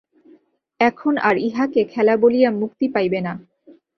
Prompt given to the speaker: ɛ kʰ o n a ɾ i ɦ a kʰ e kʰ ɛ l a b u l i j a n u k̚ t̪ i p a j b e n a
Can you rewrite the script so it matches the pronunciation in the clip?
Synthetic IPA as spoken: ɛ kʰ o n a ɾ i ɦ a k e kʰ ɛ l a b o l i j a m u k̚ t̪ i p a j b e n a